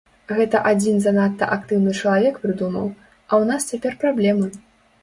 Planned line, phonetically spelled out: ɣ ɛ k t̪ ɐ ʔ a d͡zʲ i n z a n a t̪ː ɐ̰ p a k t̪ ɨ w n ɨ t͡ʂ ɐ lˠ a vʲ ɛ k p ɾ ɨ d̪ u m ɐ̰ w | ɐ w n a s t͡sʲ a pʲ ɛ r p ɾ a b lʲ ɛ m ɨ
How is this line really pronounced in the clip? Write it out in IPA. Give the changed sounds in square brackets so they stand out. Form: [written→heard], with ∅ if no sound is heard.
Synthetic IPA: ɣ ɛ [k→∅] t̪ ɐ ʔ a d͡zʲ i n z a n a t̪ː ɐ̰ [p→ʔ] a k t̪ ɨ w n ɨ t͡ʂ ɐ lˠ a vʲ ɛ k p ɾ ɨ d̪ u m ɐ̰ w | ɐ w n a s t͡sʲ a pʲ ɛ r p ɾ a b lʲ ɛ m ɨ